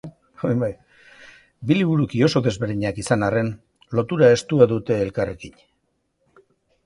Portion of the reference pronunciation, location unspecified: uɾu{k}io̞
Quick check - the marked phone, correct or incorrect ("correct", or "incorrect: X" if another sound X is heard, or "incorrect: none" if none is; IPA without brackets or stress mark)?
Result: correct